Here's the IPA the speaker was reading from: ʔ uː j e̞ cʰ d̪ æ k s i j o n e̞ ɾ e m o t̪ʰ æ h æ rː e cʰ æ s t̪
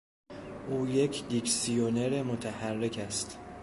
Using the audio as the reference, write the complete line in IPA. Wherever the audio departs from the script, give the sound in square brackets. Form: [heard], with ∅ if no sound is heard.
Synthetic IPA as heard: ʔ uː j e̞ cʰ d̪ [i] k s i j o n e̞ ɾ e m o t̪ʰ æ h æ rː e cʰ æ s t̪